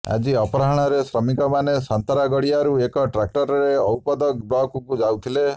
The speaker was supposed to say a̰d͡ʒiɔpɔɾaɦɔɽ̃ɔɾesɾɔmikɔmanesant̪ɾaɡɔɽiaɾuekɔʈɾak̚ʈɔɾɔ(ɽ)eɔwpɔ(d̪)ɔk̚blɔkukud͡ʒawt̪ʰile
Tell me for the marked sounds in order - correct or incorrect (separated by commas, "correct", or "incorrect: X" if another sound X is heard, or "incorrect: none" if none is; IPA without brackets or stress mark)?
incorrect: ɾ, correct